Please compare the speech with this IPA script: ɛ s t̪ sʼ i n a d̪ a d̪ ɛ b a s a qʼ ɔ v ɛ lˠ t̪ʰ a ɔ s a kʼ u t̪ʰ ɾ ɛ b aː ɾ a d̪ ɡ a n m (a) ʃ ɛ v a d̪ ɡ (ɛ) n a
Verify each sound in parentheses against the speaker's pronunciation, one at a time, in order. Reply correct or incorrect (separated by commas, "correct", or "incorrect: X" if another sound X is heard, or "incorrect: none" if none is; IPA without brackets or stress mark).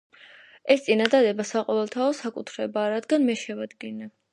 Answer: incorrect: ɛ, incorrect: i